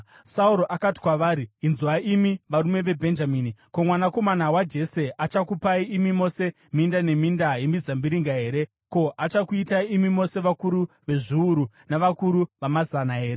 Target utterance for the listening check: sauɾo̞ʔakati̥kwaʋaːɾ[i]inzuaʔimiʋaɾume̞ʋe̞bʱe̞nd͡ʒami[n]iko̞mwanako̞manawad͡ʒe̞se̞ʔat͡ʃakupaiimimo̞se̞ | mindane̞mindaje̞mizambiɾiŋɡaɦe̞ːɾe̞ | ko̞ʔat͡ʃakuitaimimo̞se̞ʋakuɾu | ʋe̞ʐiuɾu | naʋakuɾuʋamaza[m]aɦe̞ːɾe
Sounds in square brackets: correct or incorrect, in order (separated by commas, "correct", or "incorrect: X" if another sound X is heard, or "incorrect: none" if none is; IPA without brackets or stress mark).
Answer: correct, correct, incorrect: n